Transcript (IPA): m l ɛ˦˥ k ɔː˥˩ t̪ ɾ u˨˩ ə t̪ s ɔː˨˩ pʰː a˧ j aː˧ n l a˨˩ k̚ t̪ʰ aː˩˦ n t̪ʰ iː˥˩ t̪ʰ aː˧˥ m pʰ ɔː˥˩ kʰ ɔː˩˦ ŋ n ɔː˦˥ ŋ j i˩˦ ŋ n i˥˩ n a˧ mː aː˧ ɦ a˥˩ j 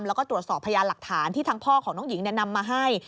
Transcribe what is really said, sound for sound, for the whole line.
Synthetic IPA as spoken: m l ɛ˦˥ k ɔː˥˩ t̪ ɾ u˨˩ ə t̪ s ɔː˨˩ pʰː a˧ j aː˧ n l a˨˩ k̚ t̪ʰ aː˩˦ n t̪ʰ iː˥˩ t̪ʰ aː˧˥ ŋ pʰ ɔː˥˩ kʰ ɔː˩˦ ŋ n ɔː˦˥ ŋ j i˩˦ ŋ n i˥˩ n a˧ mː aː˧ ɦ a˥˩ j